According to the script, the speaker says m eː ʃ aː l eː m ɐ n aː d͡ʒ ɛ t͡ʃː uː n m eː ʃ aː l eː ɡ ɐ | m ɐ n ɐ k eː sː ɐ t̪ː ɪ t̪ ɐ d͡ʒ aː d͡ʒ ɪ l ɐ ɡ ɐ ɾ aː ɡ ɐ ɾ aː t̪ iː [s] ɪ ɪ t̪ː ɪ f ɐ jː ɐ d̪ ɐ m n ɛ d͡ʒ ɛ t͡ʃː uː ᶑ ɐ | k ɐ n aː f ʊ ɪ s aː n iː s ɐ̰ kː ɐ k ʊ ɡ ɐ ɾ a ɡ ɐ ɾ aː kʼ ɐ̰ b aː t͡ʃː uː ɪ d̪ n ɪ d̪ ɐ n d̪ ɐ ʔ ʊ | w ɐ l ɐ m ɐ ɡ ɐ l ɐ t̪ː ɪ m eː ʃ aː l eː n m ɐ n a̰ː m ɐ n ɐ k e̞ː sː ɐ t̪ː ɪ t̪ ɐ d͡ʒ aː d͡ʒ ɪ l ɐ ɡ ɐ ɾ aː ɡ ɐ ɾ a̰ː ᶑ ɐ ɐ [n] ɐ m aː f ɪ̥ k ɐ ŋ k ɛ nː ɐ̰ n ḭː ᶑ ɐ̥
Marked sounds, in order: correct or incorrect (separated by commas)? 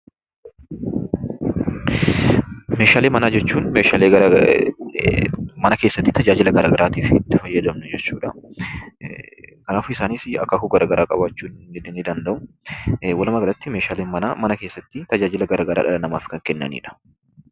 incorrect, correct